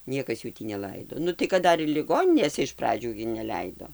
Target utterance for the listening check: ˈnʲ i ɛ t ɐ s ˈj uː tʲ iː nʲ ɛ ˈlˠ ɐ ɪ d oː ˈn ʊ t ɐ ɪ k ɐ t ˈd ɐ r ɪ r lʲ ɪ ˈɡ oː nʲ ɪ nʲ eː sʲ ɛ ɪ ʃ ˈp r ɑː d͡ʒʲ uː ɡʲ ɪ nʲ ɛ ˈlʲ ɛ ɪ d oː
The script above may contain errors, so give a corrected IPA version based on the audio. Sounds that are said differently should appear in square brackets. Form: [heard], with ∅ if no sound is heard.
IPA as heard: ˈnʲ i ɛ [k] ɐ s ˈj uː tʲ iː nʲ ɛ ˈlˠ ɐ ɪ d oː ˈn ʊ t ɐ ɪ k ɐ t ˈd ɐ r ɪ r lʲ ɪ ˈɡ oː nʲ ɪ nʲ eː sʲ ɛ ɪ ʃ ˈp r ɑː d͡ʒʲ uː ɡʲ ɪ nʲ ɛ ˈlʲ ɛ ɪ d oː